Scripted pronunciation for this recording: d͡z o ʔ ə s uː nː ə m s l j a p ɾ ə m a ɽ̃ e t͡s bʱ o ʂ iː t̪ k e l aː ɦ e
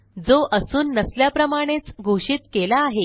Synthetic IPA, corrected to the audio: d͡z o ʔ ə s uː nː ə s l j a p ɾ ə m a ɽ̃ e t͡s ɡʱ o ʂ iː t̪ k e l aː ɦ e